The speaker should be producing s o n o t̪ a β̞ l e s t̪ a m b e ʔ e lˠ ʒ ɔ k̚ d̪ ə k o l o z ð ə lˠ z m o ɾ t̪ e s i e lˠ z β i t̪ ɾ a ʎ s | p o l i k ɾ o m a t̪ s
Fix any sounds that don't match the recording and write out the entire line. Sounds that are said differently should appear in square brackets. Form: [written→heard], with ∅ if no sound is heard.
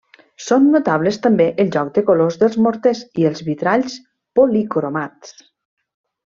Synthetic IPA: s o [n→nː] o t̪ a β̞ l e s t̪ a m b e ʔ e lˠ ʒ ɔ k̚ d̪ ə k o l o z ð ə lˠ z m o ɾ t̪ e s i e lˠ z β i t̪ ɾ a ʎ s | p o l i k ɾ o m a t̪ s